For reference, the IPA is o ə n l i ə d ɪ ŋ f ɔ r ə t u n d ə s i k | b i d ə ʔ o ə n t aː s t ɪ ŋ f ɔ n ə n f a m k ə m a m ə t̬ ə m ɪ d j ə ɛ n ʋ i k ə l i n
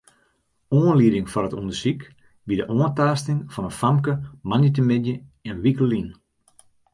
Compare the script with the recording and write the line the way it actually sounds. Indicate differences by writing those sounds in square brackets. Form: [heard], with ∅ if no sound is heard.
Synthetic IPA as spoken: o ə n l i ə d ɪ ŋ f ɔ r ə t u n d ə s i k | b i d ə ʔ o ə n t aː s t ɪ ŋ f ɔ n ə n f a m k ə m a [n] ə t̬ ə m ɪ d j ə ɛ n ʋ i k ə l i n